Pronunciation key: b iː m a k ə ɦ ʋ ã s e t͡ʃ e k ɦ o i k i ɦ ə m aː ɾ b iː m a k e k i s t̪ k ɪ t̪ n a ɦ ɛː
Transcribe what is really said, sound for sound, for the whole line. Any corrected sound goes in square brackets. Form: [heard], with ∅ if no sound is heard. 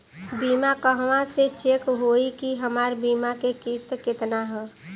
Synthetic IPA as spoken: b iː m a k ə ɦ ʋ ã s e t͡ʃ e k ɦ o i k i ɦ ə m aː ɾ b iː m a k e k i s t̪ k ɪ t̪ n a ɦ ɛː